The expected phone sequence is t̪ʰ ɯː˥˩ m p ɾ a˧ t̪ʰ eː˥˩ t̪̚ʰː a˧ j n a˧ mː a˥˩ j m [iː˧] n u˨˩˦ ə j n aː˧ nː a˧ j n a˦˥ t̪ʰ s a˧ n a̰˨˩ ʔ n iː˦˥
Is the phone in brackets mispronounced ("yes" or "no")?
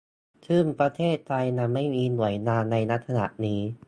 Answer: no